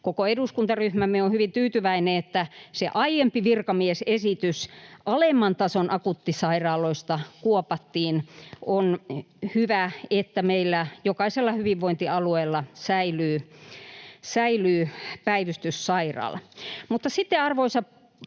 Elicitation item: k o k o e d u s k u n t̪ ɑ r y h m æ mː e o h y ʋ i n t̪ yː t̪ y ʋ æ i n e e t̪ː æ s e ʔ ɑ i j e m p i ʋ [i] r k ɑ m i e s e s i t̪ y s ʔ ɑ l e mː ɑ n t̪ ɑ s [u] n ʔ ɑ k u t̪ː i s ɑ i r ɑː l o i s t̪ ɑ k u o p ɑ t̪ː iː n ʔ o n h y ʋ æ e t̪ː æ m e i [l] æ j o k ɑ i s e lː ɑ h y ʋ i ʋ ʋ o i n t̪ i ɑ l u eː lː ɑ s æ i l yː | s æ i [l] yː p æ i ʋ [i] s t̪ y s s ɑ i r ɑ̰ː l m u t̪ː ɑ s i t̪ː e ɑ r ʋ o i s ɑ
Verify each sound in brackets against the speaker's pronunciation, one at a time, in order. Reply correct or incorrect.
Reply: correct, incorrect: o, incorrect: lː, correct, incorrect: y

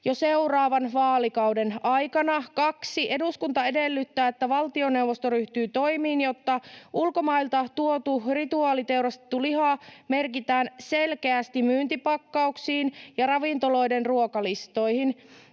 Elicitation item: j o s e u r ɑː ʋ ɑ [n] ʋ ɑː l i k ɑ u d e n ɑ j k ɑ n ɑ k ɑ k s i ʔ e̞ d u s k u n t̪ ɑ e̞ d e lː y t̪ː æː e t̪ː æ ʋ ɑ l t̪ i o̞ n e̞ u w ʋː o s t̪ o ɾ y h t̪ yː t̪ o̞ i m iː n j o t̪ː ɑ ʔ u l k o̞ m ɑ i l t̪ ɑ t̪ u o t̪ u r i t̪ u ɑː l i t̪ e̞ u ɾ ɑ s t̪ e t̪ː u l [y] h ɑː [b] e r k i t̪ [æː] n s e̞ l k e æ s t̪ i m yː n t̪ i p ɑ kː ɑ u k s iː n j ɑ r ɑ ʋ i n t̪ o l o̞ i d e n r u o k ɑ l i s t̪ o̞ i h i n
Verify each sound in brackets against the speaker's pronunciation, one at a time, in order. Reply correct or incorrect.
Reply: correct, incorrect: i, incorrect: m, correct

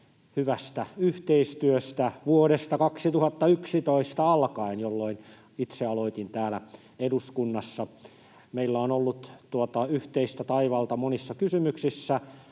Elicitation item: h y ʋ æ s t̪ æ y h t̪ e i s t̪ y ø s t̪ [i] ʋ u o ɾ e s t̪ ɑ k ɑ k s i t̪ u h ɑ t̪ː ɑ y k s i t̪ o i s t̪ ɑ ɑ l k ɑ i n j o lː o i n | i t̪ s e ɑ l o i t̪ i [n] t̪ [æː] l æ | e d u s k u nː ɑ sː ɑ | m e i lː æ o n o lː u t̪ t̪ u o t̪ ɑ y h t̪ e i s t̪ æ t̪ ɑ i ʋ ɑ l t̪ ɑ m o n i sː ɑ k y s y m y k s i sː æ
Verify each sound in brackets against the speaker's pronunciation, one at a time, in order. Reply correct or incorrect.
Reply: incorrect: æ, correct, correct

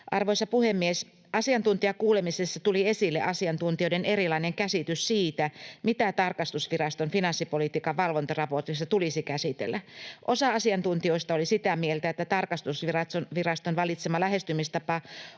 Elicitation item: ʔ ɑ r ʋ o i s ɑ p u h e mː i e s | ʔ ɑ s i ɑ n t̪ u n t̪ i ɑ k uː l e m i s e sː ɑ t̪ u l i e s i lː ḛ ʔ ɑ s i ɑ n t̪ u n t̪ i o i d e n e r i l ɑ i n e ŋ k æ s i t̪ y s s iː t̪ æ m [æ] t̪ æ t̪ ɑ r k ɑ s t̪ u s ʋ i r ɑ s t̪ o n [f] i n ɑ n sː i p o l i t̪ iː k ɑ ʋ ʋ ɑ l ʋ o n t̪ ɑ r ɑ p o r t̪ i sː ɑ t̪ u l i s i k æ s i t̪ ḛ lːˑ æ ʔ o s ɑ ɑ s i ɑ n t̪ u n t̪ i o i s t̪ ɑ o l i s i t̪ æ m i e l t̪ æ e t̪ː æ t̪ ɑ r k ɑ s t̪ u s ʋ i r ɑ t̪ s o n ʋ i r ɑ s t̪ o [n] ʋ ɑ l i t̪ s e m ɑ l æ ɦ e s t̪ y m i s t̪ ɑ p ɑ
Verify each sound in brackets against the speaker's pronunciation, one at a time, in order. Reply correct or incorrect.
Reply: incorrect: i, correct, correct

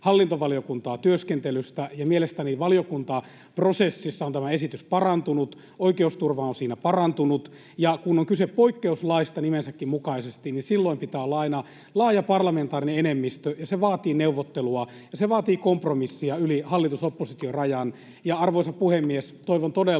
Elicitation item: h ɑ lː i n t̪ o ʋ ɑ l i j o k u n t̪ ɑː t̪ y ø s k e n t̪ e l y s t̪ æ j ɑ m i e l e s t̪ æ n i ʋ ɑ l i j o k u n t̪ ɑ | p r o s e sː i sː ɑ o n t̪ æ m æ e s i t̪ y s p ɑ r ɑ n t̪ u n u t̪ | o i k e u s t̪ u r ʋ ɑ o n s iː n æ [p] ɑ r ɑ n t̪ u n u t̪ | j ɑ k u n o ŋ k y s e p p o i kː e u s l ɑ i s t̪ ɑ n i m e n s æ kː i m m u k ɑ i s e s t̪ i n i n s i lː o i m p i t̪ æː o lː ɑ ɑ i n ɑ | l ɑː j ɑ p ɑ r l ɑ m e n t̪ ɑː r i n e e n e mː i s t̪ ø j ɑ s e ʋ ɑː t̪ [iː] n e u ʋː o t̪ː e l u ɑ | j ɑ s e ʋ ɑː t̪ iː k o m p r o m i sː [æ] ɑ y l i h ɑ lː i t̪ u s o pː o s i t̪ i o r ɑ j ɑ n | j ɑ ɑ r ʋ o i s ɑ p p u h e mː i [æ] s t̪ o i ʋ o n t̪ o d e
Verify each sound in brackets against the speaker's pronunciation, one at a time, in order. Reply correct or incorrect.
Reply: correct, correct, incorrect: i, incorrect: e

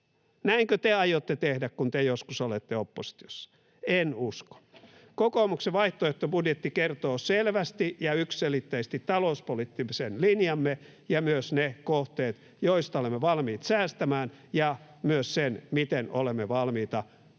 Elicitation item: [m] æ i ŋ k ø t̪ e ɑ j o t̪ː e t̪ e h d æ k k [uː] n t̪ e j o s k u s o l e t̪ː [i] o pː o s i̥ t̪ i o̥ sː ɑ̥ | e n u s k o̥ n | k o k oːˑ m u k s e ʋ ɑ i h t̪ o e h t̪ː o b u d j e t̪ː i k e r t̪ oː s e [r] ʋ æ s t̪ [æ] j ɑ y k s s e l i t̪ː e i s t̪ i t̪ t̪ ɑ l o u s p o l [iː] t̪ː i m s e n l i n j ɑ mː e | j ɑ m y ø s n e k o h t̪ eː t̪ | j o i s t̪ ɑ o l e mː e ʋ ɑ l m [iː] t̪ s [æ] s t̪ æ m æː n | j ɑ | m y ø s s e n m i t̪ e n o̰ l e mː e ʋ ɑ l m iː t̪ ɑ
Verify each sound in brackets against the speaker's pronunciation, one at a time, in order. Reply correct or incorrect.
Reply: incorrect: n, incorrect: u, incorrect: e, incorrect: l, incorrect: i, incorrect: i, correct, incorrect: æː

